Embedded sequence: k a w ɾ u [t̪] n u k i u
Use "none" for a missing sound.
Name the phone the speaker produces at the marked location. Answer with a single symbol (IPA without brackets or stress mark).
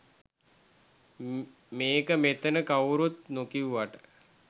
t̪